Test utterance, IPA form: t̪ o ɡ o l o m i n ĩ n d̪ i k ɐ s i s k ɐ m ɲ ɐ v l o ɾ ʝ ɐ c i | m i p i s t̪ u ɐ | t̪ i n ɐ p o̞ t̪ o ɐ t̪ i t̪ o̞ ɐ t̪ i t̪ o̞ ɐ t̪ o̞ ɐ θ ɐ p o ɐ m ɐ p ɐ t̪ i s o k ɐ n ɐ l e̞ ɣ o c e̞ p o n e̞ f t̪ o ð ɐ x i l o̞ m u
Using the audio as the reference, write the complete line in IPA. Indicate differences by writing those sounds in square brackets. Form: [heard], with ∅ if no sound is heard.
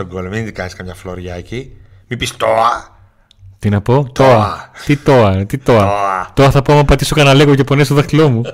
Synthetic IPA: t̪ o ɡ o l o m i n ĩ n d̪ i k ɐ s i s k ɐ m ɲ ɐ [f] l o ɾ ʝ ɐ c i | m i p i s t̪ [o] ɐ | t̪ i n ɐ p o̞ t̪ o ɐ t̪ i t̪ o̞ ɐ t̪ i t̪ o̞ ɐ t̪ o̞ ɐ θ ɐ p o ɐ m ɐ p ɐ t̪ i s o k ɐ n ɐ l e̞ ɣ o c e̞ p o n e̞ [s] t̪ o ð ɐ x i l o̞ m u